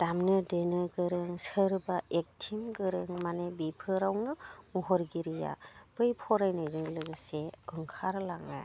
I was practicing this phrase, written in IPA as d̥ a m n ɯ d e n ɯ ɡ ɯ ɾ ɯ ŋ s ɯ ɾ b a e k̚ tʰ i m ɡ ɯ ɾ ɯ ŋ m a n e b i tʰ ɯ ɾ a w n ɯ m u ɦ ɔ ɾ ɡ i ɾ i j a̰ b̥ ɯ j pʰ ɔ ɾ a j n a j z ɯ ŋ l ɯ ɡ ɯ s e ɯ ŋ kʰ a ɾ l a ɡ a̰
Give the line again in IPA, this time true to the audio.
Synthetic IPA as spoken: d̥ a m n ɯ d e n ɯ ɡ ɯ ɾ ɯ ŋ s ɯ ɾ b a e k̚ tʰ i m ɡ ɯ ɾ ɯ ŋ m a n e b i pʰ ɯ ɾ a w n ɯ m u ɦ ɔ ɾ ɡ i ɾ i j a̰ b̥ ɯ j pʰ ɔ ɾ a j n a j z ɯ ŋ l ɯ ɡ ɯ s e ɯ ŋ kʰ a ɾ l a ŋ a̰